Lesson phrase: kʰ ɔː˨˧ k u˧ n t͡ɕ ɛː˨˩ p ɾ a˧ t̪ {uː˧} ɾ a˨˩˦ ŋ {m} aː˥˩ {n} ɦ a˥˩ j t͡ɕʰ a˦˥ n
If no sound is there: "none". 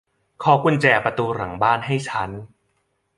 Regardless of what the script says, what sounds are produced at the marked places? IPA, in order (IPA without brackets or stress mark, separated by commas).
uː˧, b, n